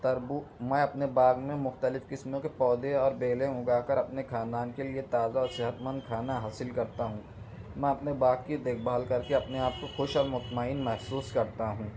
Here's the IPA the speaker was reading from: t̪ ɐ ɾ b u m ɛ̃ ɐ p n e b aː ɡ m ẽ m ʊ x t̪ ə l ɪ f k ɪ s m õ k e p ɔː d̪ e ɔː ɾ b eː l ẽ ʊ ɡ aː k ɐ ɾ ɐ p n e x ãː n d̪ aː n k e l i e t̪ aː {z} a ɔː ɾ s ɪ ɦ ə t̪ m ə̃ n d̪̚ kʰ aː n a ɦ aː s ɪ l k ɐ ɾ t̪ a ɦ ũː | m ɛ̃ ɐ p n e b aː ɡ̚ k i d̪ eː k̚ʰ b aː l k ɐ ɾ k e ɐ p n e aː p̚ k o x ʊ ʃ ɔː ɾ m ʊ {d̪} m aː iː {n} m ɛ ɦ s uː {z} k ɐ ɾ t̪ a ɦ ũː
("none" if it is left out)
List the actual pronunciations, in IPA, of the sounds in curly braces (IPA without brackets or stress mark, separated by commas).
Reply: z, t̪, n, s